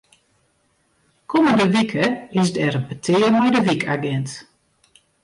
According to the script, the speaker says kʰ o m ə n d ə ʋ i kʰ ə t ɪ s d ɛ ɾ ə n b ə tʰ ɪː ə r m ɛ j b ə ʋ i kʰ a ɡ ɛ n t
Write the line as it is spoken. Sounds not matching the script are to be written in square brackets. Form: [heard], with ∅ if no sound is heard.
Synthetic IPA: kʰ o m ə n d ə ʋ i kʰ ə [∅] ɪ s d ɛ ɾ ə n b ə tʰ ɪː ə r m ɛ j [d] ə ʋ i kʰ a ɡ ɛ n t